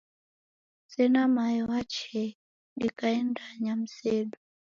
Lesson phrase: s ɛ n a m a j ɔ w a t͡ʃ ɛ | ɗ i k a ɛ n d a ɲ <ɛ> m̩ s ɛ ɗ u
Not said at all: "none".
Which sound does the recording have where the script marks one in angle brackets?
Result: a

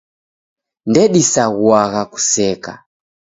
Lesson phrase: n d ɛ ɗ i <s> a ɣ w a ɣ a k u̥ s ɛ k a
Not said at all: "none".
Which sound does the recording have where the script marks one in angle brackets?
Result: s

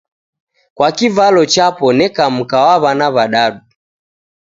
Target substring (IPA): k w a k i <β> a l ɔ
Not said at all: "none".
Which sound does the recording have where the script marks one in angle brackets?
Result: v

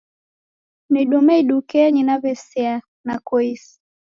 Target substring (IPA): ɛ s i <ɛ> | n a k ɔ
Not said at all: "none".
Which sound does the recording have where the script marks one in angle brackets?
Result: a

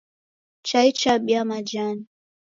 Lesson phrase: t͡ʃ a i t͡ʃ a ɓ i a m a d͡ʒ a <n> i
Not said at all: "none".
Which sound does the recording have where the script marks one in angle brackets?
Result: n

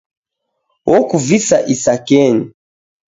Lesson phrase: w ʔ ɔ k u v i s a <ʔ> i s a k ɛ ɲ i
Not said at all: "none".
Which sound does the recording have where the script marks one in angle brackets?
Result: ʔ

